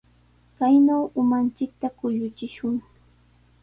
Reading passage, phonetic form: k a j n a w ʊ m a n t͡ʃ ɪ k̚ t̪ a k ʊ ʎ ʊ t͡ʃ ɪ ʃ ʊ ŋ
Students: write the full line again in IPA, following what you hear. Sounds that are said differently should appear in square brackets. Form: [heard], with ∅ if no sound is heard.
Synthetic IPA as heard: k a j n a w ʊ m a n t͡ʃ ɪ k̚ t̪ a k ʊ ʎ ʊ t͡ʃ ɪ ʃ ʊ ŋ